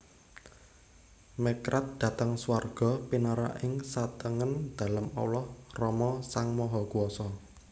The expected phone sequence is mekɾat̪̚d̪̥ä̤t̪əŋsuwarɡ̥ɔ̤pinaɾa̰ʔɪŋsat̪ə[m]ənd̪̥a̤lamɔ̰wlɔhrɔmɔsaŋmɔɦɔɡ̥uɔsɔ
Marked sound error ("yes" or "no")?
yes